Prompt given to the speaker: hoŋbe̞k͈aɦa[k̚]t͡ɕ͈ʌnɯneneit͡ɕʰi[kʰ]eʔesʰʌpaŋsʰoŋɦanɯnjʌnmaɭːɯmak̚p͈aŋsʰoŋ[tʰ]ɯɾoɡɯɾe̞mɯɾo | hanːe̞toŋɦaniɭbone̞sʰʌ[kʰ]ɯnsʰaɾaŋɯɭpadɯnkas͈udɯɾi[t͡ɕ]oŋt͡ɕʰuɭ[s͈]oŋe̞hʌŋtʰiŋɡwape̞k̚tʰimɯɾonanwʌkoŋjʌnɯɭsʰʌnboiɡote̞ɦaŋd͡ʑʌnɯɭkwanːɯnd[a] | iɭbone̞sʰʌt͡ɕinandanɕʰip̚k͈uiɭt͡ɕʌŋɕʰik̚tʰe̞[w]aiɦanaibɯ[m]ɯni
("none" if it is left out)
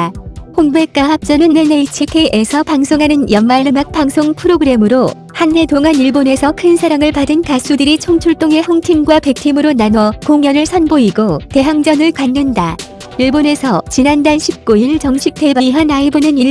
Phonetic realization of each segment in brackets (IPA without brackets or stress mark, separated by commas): p̚, kʰ, pʰ, kʰ, t͡ɕʰ, t͈, a, b, n